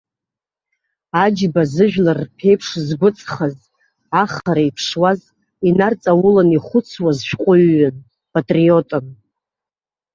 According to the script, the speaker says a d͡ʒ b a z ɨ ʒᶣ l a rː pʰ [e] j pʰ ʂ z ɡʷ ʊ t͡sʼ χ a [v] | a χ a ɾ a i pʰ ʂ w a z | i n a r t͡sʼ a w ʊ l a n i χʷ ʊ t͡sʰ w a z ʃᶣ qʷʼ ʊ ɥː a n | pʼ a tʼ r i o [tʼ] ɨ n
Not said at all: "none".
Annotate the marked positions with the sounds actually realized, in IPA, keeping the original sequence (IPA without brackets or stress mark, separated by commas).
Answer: e, z, tʼ